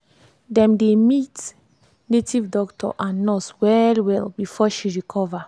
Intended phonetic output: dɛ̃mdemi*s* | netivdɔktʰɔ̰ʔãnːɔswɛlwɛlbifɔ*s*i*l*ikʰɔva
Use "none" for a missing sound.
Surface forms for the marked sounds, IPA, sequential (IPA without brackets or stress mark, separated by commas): t, ʃ, ɹ